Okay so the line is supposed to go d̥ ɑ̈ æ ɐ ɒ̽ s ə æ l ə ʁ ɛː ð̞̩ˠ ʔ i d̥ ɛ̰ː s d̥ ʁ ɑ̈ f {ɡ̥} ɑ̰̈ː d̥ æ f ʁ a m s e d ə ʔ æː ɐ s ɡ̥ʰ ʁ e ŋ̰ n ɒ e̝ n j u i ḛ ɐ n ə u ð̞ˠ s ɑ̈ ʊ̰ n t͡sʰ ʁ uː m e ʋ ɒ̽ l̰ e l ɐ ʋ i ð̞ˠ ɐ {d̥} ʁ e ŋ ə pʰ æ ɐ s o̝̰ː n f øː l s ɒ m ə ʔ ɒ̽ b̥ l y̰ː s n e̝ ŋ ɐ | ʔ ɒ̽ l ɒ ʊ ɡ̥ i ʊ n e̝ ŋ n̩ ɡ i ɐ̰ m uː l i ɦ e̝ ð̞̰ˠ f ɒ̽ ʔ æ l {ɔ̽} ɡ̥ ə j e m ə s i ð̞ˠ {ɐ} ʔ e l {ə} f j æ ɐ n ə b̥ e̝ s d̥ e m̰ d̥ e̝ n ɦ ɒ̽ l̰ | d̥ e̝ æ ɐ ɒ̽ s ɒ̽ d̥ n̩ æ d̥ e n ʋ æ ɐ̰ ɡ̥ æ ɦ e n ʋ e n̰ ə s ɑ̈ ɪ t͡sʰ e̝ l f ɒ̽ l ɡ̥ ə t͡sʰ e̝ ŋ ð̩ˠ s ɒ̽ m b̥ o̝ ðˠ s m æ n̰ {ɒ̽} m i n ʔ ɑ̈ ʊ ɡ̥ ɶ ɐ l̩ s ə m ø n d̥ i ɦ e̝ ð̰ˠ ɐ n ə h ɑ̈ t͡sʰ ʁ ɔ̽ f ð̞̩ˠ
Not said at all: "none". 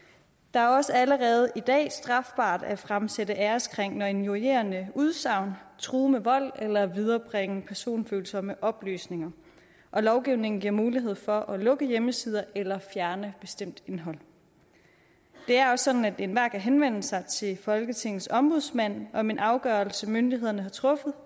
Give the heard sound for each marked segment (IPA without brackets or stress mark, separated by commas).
b̥, b̥, ɔ̽, ɐ, ɐ, ɒ̽